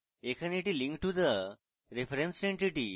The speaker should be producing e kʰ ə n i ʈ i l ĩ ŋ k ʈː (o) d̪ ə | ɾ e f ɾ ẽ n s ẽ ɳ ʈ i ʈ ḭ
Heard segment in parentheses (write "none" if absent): u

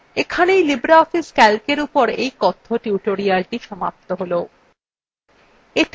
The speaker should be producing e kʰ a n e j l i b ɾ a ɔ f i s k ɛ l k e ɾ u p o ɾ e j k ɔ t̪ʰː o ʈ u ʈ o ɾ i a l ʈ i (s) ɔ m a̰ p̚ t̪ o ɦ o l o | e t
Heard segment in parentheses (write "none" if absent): ʃ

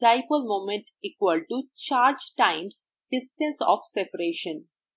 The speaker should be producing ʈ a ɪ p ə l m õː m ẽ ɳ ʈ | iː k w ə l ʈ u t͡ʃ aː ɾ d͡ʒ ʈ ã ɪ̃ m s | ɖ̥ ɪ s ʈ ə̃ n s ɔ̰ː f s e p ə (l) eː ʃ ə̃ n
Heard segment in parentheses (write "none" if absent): ɾ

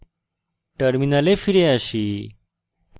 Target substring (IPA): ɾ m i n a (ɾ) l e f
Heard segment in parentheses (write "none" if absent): none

